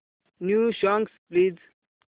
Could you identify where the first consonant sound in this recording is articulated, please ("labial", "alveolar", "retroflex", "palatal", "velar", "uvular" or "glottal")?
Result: alveolar